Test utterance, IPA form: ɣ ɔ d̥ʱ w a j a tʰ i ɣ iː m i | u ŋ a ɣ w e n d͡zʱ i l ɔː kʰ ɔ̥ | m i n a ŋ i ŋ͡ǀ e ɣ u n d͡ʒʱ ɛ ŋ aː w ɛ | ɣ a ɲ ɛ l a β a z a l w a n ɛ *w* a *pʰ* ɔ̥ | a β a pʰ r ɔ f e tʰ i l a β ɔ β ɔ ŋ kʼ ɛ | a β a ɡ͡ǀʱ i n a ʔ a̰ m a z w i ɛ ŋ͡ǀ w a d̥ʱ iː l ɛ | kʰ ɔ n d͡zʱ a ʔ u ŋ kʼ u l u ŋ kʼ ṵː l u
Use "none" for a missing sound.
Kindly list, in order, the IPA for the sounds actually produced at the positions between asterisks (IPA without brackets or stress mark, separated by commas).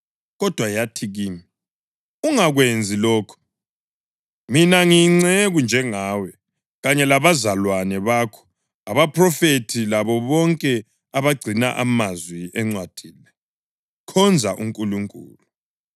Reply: β, kʰ